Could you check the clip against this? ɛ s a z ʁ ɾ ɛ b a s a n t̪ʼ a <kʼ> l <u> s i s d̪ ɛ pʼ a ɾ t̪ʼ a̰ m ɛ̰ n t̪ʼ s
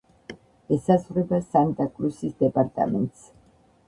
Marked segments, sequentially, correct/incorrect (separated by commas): correct, correct